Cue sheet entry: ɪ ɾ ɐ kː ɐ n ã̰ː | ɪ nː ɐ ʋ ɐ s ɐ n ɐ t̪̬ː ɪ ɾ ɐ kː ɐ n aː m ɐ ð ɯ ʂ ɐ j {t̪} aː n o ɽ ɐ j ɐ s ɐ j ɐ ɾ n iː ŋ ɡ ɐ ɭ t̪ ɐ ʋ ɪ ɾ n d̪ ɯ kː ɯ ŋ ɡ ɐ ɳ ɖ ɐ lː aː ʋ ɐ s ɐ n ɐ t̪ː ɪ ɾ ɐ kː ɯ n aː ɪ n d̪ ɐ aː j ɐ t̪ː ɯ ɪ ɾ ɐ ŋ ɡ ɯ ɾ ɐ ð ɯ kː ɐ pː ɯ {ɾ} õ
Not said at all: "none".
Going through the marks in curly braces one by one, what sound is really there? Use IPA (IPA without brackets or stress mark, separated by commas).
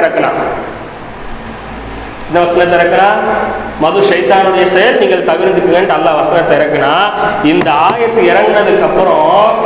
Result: t̪, ɾ